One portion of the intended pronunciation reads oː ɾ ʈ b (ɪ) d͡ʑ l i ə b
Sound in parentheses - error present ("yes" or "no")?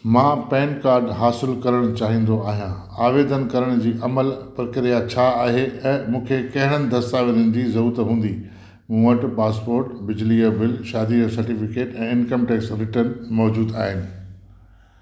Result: no